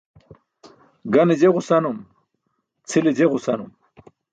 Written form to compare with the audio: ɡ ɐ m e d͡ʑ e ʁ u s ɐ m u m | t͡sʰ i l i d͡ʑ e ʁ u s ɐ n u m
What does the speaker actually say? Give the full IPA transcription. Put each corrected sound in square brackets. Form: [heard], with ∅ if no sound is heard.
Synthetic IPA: ɡ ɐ [n] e d͡ʑ e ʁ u s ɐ [n] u m | t͡sʰ i l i d͡ʑ e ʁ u s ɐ n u m